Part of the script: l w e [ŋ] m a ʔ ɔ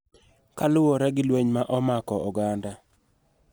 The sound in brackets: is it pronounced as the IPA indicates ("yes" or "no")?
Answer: no